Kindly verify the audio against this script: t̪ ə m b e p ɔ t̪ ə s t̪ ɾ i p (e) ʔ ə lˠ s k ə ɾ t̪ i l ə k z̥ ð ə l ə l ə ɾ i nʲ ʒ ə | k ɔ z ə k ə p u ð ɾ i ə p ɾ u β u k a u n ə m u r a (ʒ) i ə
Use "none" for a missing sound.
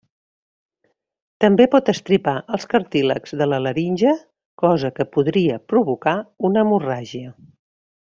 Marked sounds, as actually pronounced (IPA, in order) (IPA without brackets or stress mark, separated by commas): a, ʒ